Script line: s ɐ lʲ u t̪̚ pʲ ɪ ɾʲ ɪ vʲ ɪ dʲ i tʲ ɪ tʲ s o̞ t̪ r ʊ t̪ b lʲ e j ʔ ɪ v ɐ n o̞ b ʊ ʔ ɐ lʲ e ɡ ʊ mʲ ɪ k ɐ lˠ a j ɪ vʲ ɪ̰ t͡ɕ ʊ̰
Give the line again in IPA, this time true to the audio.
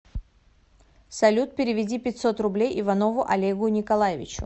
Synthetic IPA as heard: s ɐ lʲ u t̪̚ pʲ ɪ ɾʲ ɪ vʲ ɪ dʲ i pʲ ɪ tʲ s o̞ t̪ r ʊ b lʲ e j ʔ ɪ v ɐ n o̞ v ʊ ʔ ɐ lʲ e ɡ ʊ nʲ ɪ k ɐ lˠ a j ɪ vʲ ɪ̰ t͡ɕ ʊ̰